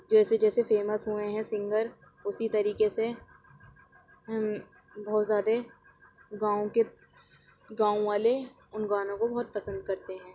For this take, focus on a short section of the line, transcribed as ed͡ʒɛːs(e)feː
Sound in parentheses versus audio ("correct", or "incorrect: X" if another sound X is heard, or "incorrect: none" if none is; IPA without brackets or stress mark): correct